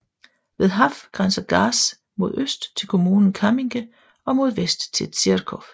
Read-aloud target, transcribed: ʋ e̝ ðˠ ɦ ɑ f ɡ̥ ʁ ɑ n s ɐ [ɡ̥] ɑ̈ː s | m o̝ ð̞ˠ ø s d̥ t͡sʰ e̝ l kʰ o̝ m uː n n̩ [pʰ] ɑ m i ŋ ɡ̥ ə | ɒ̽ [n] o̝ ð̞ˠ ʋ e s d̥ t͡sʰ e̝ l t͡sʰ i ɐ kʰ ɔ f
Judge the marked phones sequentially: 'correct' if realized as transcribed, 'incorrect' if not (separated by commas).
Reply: correct, incorrect, incorrect